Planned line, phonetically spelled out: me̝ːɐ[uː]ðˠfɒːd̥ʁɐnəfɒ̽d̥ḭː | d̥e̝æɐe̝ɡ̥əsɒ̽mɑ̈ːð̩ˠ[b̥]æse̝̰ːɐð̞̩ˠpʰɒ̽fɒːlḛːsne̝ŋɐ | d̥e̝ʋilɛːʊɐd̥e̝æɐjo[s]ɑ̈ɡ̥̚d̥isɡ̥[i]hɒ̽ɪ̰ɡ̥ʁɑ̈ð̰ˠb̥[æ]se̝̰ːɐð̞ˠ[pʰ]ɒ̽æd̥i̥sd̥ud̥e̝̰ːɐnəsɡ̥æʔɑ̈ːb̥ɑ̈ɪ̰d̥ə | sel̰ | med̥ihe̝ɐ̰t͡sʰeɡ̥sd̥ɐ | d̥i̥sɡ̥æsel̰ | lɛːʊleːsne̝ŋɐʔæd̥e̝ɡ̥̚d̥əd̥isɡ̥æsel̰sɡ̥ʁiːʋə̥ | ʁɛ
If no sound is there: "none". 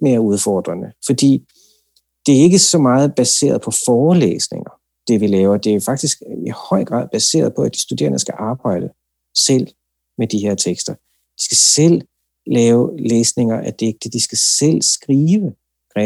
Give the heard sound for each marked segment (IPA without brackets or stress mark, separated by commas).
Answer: u, b̥, f, i, æ, pʰ